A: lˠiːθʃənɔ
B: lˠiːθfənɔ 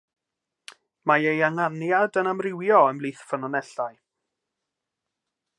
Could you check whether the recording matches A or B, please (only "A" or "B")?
B